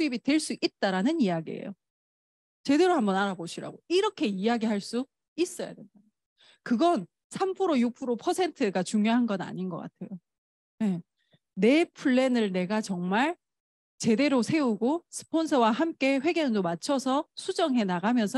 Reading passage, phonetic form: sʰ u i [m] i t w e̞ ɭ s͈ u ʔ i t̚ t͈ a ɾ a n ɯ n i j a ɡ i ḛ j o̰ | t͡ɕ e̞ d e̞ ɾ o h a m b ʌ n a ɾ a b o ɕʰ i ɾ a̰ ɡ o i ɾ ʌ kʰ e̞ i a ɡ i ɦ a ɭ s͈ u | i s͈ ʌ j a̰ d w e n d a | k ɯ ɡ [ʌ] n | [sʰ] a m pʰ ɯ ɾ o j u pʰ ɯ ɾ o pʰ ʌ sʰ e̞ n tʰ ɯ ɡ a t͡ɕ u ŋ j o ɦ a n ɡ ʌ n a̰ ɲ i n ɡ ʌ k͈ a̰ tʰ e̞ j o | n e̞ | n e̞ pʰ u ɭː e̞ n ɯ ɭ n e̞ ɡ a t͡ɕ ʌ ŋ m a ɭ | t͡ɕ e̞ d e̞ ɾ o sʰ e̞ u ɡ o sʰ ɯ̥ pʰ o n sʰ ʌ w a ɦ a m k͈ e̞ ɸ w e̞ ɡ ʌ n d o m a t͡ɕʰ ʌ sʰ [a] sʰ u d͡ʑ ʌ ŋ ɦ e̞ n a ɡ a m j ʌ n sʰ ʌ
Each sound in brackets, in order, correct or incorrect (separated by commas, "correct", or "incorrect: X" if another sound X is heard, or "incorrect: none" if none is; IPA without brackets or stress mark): incorrect: b, correct, correct, incorrect: ʌ